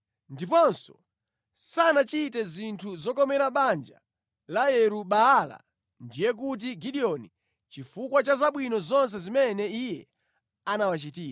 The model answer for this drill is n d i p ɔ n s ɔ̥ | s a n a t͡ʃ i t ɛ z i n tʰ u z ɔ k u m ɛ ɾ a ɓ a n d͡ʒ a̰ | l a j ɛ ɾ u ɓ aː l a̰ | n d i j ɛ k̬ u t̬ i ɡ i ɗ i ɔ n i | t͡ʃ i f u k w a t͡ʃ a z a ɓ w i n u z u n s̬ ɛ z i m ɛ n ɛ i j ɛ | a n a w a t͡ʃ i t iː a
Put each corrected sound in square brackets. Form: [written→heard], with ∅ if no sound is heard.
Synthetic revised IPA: n d i p ɔ n s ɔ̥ | s a n a t͡ʃ i t ɛ z i n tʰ u z ɔ k [u→ɔ] m ɛ ɾ a ɓ a n d͡ʒ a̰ | l a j ɛ ɾ u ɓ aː l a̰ | n d i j ɛ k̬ u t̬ i ɡ i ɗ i ɔ n i | t͡ʃ i f u k w a t͡ʃ a z a ɓ w i n [u→ɔ] z [u→ɔ] n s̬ ɛ z i m ɛ n ɛ i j ɛ | a n a w a t͡ʃ i t iː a